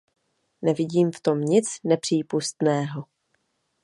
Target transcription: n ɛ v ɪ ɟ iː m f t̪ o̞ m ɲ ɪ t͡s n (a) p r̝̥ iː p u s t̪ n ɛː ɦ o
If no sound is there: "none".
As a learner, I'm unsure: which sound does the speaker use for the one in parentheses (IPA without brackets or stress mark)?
ɛ